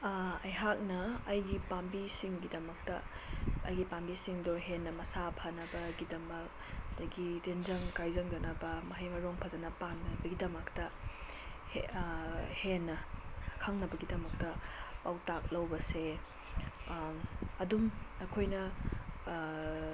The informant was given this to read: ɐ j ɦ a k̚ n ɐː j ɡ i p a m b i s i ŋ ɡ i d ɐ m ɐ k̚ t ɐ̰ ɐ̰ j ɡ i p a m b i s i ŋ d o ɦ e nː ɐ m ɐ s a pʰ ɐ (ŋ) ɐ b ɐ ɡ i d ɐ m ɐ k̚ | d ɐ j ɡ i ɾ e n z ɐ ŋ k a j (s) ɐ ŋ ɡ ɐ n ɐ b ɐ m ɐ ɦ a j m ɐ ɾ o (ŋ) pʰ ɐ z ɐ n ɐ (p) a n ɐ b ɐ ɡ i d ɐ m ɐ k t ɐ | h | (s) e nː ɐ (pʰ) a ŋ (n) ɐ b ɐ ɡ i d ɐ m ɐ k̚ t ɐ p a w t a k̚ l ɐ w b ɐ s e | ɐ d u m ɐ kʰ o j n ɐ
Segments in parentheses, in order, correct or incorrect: incorrect, incorrect, correct, correct, incorrect, incorrect, correct

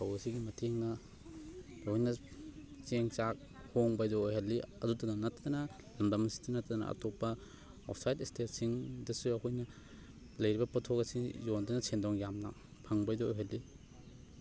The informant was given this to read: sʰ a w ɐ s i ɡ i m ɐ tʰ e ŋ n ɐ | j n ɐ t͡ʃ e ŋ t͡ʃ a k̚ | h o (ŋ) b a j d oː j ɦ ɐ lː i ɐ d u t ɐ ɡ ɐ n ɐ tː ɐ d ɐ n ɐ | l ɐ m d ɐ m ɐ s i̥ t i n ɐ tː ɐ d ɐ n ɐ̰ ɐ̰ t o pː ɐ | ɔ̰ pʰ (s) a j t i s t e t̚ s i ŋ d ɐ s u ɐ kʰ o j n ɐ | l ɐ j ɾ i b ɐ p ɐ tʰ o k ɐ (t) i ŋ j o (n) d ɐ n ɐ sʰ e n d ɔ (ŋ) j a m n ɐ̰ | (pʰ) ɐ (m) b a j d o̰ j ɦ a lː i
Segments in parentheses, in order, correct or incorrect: correct, correct, incorrect, correct, correct, correct, incorrect

